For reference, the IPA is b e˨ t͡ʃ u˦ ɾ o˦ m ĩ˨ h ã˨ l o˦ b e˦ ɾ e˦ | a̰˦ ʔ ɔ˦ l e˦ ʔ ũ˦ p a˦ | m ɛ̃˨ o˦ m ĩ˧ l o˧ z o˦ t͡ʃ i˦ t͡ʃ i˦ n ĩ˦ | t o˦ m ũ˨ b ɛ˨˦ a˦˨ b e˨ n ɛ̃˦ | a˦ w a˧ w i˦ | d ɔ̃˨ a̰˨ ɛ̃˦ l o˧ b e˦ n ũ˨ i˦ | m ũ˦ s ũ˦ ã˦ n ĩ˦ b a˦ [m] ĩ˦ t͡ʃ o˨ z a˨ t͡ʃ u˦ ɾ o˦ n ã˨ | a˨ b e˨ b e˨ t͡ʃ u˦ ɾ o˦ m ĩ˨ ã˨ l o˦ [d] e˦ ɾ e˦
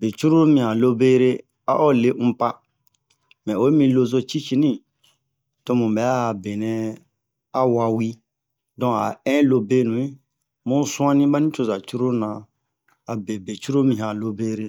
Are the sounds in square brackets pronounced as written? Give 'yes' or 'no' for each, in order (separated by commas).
no, no